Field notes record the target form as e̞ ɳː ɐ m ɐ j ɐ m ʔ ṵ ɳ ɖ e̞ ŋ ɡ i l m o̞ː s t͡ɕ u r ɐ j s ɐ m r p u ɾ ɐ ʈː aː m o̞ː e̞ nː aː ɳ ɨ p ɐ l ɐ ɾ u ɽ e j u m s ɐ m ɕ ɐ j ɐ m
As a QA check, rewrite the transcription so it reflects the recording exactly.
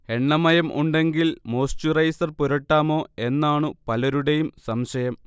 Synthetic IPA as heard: e̞ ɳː ɐ m ɐ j ɐ m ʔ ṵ ɳ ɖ e̞ ŋ ɡ i l m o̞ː s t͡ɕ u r ɐ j s ɐ r p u ɾ ɐ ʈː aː m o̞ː e̞ nː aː ɳ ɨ p ɐ l ɐ ɾ u ɽ e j u m s ɐ m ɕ ɐ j ɐ m

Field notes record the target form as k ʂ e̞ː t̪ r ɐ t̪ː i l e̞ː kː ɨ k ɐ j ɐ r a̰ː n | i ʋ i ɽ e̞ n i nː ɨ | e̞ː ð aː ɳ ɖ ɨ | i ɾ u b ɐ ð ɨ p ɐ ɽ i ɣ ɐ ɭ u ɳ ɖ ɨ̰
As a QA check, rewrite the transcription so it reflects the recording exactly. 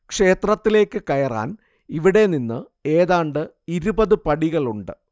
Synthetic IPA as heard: k ʂ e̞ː t̪ r ɐ t̪ː i l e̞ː kː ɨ k ɐ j ɐ r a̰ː n | i ʋ i ɽ e̞ n i nː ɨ | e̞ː ð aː ɳ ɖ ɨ | i ɾ u b ɐ ð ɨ p ɐ ɽ i ɣ ɐ ɭ u ɳ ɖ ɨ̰

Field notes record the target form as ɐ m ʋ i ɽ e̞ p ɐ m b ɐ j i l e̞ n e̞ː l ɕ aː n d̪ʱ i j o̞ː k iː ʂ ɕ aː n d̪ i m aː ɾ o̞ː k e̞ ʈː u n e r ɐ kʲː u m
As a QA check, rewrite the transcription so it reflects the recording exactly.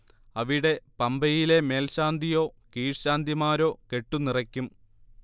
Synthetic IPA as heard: ɐ ʋ i ɽ e̞ p ɐ m b ɐ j i l e̞ m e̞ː l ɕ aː n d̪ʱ i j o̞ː k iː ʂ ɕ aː n d̪ i m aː ɾ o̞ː k e̞ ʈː u n i r ɐ kʲː u m

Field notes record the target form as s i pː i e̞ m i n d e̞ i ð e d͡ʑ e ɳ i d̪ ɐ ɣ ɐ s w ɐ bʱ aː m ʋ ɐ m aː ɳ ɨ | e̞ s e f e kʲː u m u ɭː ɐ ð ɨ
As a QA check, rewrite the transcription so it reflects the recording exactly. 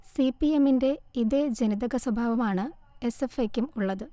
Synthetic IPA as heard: s i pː i e̞ m i n d e̞ i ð e d͡ʑ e n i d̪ ɐ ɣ ɐ s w ɐ bʱ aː ʋ ɐ m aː ɳ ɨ | e̞ s e f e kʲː u m u ɭː ɐ ð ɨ

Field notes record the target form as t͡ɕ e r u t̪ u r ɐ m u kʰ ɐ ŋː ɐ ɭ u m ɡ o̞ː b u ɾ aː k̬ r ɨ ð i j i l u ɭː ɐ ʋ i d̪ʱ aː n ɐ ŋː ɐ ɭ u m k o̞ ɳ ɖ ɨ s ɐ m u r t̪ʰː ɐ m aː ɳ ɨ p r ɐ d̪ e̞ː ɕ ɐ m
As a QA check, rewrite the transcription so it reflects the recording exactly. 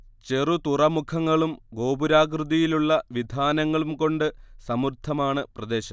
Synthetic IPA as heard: t͡ɕ e r u t̪ u r ɐ m u kʰ ɐ ŋː ɐ ɭ u m ɡ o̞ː b u ɾ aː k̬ r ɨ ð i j i l u ɭː ɐ ʋ i d̪ʱ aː n ɐ ŋː ɐ ɭ u m k o̞ ɳ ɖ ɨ s ɐ m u r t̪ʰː ɐ m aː ɳ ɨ p r ɐ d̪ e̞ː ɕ ɐ m

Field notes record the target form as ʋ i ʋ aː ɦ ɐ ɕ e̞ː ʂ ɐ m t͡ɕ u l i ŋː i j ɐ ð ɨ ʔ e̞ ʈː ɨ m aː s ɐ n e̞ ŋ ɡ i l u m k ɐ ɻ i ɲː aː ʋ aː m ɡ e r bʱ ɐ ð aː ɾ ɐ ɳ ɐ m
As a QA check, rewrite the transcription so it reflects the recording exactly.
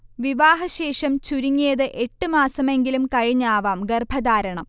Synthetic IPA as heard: ʋ i ʋ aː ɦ ɐ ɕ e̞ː ʂ ɐ m t͡ɕ u ɾ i ŋː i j ɐ ð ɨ ʔ e̞ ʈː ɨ m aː s ɐ m e̞ ŋ ɡ i l u m k ɐ ɻ i ɲː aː ʋ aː m ɡ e r bʱ ɐ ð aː ɾ ɐ ɳ ɐ m

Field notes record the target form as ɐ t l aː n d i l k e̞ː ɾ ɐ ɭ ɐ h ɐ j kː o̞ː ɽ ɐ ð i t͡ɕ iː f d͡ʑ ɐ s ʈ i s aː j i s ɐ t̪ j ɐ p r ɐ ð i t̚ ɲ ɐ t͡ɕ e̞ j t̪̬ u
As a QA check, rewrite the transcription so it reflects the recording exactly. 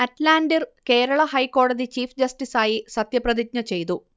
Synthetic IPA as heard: ɐ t l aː n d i r k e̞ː ɾ ɐ ɭ ɐ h ɐ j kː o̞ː ɽ ɐ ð i t͡ɕ iː f d͡ʑ ɐ s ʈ i s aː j i s ɐ t̪ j ɐ p r ɐ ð i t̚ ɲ ɐ t͡ɕ e̞ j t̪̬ u

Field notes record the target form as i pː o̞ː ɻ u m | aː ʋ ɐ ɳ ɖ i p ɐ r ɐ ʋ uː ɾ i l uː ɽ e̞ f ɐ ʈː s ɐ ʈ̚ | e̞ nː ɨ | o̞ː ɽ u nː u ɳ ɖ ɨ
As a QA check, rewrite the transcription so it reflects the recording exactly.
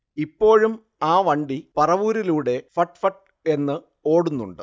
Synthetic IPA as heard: i pː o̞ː ɻ u m | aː ʋ ɐ ɳ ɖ i p ɐ r ɐ ʋ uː ɾ i l uː ɽ e̞ f ɐ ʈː f ɐ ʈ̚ | e̞ nː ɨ | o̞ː ɽ u nː u ɳ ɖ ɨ

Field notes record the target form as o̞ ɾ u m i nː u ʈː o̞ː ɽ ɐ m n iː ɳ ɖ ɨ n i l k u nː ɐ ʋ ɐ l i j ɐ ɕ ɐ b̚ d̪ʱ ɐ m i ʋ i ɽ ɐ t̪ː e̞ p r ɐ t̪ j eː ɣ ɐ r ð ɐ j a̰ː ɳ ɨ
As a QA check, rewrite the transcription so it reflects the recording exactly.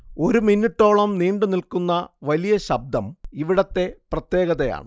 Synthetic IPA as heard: o̞ ɾ u m i nː u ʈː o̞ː ɭ ɐ m n iː ɳ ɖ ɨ n i l k u nː ɐ ʋ ɐ l i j ɐ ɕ ɐ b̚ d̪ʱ ɐ m i ʋ i ɽ ɐ t̪ː e̞ p r ɐ t̪ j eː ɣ ɐ ð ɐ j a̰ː ɳ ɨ

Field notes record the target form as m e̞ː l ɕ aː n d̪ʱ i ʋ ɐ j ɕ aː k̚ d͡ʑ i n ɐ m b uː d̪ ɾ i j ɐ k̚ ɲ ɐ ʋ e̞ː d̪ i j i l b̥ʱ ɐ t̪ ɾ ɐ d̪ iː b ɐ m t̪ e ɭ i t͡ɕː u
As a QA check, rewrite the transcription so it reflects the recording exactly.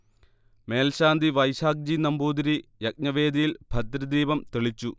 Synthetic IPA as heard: m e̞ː l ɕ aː n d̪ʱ i ʋ ɐ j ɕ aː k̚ d͡ʑ i n ɐ m b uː d̪ ɾ i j ɐ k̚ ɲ ɐ ʋ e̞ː d̪ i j i l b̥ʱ ɐ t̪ ɾ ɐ d̪ iː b ɐ m t̪ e ɭ i t͡ɕː u

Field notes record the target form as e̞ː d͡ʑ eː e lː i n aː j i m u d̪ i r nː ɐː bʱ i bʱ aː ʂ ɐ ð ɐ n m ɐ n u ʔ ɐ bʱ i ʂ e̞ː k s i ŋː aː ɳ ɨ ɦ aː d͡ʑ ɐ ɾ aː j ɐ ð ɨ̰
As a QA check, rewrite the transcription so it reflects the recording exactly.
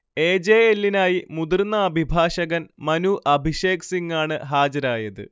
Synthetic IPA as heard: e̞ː d͡ʑ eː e lː i n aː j i m u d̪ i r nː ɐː bʱ i bʱ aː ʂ ɐ ɣ ɐ n m ɐ n u ʔ ɐ bʱ i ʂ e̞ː k s i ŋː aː ɳ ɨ ɦ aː d͡ʑ ɐ ɾ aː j ɐ ð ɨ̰

